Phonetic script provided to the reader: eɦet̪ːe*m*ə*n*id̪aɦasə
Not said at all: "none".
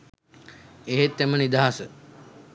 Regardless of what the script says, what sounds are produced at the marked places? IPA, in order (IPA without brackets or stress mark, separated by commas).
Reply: m, n